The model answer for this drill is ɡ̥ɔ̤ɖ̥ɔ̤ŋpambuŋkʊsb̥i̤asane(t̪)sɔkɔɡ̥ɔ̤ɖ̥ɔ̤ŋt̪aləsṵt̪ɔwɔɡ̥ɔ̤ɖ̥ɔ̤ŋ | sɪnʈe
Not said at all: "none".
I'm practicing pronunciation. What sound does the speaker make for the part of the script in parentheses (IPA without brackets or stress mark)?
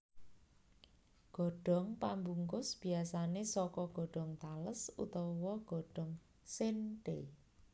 none